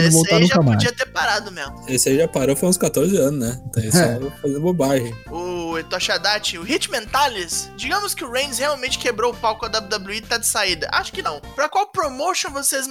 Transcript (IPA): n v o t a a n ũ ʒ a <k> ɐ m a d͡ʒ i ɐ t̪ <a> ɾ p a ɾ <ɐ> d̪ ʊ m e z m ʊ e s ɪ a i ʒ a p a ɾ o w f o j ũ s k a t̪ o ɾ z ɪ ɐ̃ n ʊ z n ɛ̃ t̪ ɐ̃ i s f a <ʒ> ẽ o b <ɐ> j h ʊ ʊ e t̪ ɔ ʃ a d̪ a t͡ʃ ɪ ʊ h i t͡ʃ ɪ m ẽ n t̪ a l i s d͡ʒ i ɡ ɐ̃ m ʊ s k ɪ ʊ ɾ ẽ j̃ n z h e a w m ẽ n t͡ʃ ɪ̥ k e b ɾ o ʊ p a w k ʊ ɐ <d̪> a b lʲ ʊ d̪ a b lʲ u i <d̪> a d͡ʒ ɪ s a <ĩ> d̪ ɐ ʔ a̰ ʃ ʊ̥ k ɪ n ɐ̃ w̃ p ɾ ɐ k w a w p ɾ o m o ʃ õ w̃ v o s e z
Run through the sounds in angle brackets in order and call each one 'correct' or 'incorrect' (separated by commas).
correct, incorrect, incorrect, incorrect, incorrect, correct, incorrect, incorrect